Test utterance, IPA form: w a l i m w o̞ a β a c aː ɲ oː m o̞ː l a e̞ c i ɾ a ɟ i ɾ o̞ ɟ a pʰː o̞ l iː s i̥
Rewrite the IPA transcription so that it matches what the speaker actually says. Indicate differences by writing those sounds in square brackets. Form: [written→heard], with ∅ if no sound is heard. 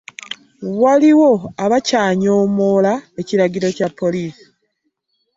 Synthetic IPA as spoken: w a l i [m→∅] w o̞ a β a c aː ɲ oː m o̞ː l a e̞ c i ɾ a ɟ i ɾ o̞ [ɟ→c] a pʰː o̞ l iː s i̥